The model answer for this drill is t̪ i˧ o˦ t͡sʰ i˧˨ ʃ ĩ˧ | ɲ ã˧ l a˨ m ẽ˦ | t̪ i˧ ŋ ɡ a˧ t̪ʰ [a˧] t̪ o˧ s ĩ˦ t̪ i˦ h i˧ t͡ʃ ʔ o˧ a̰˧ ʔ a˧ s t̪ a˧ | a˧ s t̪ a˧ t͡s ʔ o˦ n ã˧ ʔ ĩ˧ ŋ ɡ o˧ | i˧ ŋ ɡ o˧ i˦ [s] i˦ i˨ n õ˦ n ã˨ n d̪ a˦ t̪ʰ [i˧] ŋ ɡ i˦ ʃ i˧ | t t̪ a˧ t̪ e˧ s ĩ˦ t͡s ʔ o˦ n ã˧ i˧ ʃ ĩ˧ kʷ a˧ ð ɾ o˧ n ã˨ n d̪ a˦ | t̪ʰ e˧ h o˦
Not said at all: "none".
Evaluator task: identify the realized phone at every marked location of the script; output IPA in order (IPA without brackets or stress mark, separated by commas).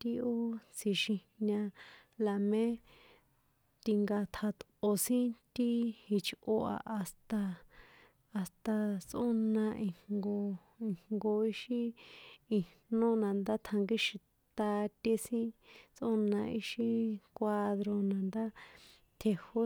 a˧, ʃ, a˧